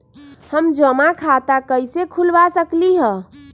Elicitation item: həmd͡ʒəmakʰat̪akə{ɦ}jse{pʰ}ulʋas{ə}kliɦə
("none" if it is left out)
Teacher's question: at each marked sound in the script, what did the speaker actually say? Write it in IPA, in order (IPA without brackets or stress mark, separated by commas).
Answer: none, kʰ, ə